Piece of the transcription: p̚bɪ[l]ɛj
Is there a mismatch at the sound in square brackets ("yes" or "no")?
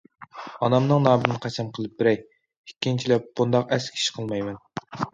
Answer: yes